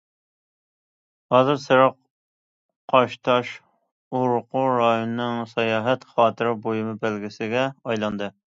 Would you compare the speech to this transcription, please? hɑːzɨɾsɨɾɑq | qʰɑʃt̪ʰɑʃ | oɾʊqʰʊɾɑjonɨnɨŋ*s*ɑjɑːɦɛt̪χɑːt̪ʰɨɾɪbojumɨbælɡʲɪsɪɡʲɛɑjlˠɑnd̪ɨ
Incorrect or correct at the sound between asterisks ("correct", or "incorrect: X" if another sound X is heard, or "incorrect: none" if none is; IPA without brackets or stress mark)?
correct